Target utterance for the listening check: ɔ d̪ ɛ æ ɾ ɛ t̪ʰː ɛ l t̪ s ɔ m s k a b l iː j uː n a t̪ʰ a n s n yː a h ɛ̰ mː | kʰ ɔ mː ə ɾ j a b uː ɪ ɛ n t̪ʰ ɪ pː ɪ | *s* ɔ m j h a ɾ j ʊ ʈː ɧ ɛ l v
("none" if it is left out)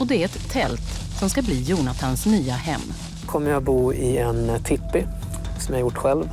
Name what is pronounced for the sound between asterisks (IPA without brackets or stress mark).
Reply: s